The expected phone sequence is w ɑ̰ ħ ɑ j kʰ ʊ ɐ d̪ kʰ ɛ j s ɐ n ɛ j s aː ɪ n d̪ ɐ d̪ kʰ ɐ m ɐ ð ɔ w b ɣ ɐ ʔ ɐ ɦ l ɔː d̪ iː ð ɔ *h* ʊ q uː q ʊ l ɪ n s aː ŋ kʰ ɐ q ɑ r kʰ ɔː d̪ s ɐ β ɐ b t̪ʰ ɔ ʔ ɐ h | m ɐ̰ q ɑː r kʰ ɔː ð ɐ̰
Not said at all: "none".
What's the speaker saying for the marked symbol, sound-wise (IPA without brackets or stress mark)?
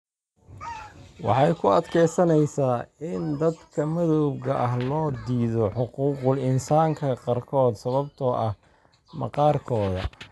ħ